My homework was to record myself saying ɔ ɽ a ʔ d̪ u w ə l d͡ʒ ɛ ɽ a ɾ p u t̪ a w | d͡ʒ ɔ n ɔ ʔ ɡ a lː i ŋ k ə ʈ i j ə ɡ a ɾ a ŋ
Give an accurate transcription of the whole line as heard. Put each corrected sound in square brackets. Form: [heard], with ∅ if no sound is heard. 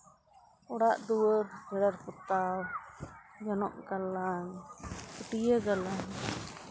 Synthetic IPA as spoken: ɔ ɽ a ʔ d̪ u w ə [ɾ] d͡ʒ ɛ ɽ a ɾ p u t̪ a w | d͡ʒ ɔ n ɔ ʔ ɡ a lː [a] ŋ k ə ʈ i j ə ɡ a [l] a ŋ

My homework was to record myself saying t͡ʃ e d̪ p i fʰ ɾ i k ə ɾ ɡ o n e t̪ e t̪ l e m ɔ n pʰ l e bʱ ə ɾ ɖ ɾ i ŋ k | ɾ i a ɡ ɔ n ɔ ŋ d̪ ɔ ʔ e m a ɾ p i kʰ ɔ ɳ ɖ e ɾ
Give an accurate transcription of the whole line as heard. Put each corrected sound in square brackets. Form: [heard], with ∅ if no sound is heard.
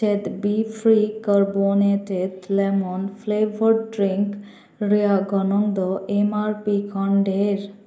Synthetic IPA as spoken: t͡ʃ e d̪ [b] i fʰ ɾ i k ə ɾ [b] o n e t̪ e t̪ l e m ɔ n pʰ l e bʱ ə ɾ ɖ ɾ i ŋ k | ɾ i a ɡ ɔ n ɔ ŋ d̪ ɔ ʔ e m a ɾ p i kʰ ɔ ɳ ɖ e ɾ

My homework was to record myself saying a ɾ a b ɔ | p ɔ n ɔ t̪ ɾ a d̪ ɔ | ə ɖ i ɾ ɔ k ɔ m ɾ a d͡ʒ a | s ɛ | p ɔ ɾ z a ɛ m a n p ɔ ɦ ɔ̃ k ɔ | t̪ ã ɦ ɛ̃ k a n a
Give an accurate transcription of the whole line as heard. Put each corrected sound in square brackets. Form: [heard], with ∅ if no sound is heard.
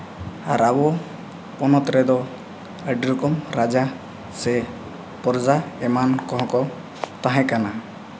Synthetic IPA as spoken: a ɾ a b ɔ | p ɔ n ɔ t̪ ɾ [ɛ] d̪ ɔ | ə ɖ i ɾ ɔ k ɔ m ɾ a d͡ʒ a | s ɛ | p ɔ ɾ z a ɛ m a n [k] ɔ ɦ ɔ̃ k ɔ | t̪ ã ɦ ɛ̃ k a n a

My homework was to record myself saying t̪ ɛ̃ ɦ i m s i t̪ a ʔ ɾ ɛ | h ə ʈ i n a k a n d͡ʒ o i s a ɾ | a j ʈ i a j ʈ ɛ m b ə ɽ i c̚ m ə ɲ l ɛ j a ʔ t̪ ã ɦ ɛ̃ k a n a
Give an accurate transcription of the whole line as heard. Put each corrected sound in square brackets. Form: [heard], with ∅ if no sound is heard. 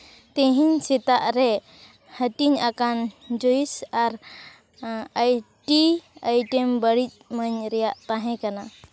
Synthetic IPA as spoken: t̪ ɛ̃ ɦ i [ɲ] s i t̪ a ʔ ɾ ɛ | h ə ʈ i [ɲ] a k a n d͡ʒ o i s a ɾ | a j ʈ i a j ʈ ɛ m b ə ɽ i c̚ m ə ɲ [ɾ] ɛ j a ʔ t̪ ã ɦ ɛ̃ k a n a

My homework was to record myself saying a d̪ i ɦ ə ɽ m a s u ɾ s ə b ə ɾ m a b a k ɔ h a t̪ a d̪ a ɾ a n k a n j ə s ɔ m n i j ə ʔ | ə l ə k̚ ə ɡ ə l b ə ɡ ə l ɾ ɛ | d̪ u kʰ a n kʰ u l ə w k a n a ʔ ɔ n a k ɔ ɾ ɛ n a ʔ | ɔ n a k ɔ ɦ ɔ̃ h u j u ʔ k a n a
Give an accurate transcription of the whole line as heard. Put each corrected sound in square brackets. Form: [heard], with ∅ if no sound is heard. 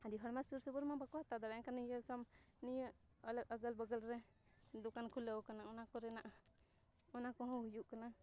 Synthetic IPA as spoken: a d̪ i ɦ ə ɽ m a s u ɾ s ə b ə ɾ m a b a k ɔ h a t̪ a d̪ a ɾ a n k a n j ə s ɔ m n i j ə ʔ | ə l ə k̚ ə ɡ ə l b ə ɡ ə l ɾ ɛ | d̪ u [k] a n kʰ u l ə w k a n a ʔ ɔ n a k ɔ ɾ ɛ n a ʔ | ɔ n a k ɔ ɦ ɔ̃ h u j u ʔ k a n a

